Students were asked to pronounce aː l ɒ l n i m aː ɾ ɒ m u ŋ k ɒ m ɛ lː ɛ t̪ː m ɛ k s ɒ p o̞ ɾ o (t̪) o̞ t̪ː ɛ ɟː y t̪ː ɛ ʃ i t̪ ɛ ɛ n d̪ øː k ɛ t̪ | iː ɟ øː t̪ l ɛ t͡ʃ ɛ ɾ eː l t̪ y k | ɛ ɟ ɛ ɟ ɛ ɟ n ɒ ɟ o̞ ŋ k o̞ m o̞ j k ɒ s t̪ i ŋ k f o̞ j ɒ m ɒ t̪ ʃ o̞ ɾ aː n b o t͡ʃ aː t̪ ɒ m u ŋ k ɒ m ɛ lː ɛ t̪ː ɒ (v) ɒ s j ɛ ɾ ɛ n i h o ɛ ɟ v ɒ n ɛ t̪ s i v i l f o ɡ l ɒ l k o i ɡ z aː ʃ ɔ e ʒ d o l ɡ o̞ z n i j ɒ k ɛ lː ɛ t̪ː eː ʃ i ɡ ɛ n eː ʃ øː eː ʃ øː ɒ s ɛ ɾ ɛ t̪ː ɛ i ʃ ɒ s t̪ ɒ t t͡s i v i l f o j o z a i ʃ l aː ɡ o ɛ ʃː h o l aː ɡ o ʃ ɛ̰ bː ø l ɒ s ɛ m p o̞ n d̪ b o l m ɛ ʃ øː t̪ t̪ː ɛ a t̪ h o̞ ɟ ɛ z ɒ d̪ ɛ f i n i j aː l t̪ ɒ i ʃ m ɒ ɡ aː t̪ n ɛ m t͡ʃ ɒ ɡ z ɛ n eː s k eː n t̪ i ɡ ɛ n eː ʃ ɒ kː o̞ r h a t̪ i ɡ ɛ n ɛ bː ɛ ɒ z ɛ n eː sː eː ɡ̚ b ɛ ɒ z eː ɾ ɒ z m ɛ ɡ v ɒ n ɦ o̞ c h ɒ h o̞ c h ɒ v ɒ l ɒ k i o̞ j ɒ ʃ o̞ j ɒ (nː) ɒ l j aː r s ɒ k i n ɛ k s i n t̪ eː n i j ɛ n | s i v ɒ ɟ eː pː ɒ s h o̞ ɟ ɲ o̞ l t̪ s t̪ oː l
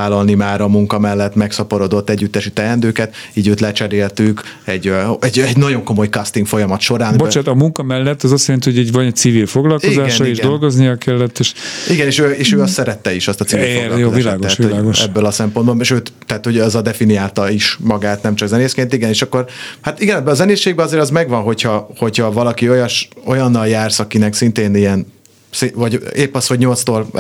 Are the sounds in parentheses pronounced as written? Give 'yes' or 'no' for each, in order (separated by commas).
no, no, yes